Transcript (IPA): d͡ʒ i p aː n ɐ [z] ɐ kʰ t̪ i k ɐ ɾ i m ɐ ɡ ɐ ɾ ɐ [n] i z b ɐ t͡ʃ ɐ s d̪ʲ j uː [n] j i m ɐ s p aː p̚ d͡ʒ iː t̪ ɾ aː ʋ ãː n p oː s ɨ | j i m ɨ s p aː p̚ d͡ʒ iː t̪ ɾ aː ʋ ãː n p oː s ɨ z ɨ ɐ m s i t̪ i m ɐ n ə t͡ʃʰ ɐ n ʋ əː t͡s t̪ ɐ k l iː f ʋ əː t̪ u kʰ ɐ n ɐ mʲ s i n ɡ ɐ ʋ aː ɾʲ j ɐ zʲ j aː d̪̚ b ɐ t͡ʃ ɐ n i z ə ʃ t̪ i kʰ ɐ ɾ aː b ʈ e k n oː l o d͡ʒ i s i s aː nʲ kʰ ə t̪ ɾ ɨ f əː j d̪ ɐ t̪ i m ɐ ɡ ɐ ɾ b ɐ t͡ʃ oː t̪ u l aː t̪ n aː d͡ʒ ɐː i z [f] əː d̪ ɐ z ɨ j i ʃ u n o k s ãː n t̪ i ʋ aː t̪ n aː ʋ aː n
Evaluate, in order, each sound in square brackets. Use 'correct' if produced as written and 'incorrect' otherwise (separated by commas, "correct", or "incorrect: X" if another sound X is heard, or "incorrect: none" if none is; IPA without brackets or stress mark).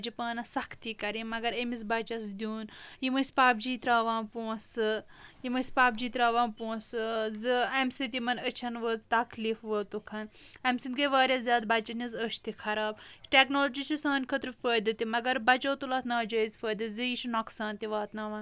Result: incorrect: s, incorrect: m, correct, correct